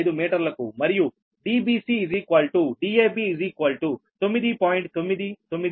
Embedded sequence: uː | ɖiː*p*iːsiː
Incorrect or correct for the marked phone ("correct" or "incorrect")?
incorrect